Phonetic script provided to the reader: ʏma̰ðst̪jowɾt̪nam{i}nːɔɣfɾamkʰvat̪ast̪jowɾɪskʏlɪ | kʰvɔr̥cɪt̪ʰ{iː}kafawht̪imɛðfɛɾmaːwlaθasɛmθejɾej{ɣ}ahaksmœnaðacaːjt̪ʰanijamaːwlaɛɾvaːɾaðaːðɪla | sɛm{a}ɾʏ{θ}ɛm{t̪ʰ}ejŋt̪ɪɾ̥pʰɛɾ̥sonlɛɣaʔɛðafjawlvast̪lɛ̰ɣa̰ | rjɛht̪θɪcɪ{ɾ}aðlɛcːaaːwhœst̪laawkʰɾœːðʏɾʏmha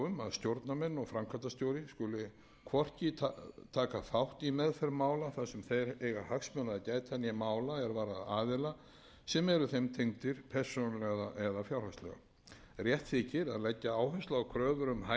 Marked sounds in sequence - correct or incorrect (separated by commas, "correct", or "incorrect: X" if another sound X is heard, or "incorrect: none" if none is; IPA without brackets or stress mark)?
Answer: incorrect: ɛ, incorrect: aː, correct, incorrect: ɛ, correct, correct, correct